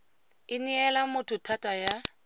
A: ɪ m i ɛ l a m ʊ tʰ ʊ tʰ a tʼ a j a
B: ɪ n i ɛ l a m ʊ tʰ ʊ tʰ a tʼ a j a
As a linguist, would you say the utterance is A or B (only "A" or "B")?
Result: B